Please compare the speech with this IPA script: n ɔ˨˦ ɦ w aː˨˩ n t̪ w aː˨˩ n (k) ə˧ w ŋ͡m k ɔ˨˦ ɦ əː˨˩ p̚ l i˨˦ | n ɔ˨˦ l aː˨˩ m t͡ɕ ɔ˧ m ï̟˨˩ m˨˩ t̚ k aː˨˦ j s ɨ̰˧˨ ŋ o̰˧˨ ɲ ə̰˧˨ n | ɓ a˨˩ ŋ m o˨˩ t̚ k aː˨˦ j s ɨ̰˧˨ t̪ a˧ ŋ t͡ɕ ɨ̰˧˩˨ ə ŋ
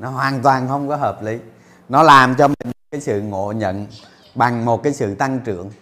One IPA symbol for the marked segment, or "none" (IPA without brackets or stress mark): x